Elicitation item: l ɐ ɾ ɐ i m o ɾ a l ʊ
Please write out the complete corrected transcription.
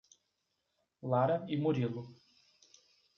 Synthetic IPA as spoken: l a ɾ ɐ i m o ɾ i l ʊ